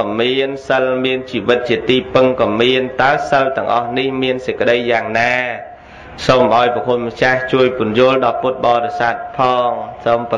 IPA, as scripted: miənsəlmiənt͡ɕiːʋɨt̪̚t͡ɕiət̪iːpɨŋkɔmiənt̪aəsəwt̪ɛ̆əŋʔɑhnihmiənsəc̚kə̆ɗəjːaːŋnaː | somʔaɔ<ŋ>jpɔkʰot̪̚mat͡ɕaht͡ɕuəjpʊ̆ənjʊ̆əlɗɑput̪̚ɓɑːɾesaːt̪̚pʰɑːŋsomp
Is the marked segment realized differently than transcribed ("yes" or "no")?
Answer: yes